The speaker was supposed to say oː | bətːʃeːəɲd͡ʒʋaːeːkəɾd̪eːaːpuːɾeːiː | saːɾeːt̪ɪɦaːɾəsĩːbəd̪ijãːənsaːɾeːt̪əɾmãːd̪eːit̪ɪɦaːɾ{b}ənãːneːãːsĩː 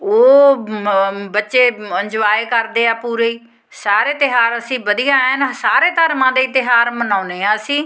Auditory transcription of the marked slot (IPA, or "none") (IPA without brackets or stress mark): m